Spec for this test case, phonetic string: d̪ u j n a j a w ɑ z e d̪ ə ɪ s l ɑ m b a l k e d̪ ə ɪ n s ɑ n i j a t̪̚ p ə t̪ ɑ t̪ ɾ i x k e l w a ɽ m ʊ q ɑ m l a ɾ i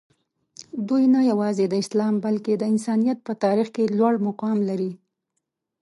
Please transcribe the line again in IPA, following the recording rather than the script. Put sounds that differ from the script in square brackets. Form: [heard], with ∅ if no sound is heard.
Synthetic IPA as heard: d̪ u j n a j a w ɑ z e d̪ ə ɪ s l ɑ m b a l k e d̪ ə ɪ n s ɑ n i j a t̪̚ p ə t̪ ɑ [∅] ɾ i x k e l w a ɽ m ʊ q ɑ m l a ɾ i